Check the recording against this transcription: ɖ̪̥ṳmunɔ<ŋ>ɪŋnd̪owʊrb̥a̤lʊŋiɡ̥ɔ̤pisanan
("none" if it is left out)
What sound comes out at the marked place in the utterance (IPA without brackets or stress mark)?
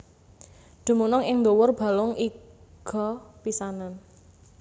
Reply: ŋ